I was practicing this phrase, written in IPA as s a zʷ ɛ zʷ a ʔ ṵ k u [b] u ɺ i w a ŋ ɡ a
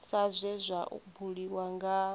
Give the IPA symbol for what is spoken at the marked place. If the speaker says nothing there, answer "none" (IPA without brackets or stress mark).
b